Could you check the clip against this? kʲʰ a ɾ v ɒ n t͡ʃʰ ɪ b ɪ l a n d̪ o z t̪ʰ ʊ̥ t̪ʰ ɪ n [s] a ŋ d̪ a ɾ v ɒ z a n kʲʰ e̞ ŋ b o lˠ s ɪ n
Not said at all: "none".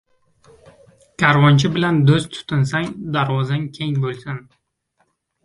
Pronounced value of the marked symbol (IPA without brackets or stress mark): s